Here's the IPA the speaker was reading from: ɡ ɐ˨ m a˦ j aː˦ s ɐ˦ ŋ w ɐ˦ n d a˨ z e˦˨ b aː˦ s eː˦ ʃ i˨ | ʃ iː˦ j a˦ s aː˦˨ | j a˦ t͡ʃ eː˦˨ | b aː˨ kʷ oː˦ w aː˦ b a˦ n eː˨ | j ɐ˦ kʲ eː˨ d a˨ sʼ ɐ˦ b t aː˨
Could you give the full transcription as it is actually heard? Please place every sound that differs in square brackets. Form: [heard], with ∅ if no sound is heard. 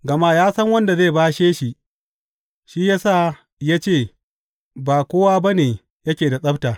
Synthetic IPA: ɡ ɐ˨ m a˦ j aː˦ s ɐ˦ ŋ w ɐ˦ n d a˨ z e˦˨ b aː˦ [ʃ] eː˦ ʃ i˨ | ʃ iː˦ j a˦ s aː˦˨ | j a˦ t͡ʃ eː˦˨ | b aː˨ kʷ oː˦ w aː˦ b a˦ n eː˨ | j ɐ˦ kʲ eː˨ d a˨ sʼ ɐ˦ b t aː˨